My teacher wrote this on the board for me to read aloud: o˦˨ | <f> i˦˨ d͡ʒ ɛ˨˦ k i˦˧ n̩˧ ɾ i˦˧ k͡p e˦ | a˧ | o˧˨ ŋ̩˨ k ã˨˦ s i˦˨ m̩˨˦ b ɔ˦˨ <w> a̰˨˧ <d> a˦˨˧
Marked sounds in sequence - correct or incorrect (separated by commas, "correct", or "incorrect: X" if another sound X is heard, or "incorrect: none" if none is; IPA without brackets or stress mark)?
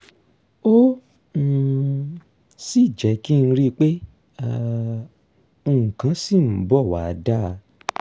incorrect: s, correct, correct